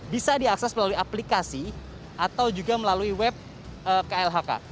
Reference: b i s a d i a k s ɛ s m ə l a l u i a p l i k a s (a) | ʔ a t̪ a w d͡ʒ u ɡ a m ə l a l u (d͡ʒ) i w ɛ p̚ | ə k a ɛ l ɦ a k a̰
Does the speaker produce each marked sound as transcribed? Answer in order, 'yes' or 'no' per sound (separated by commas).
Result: no, no